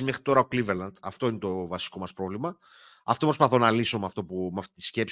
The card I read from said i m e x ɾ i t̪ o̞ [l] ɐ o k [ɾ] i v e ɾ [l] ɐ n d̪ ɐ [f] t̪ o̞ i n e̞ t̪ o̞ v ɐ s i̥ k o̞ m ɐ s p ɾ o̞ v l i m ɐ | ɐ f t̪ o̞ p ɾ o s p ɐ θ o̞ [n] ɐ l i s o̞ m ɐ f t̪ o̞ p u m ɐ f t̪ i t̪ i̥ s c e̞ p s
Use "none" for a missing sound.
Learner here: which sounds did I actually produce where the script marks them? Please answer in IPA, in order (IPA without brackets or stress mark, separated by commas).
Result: ɾ, l, l, f, n